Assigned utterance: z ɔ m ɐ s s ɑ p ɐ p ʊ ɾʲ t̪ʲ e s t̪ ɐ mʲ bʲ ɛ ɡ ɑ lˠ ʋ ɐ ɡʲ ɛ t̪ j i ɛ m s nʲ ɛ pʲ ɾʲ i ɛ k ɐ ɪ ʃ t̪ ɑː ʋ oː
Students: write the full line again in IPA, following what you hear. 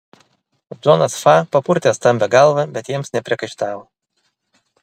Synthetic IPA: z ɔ n ɐ s f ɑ p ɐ p ʊ ɾʲ t̪ʲ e s t̪ ɐ mʲ bʲ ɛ ɡ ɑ lˠ ʋ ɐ bʲ ɛ t̪ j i ɛ m s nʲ ɛ pʲ ɾʲ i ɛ k ɐ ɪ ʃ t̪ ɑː ʋ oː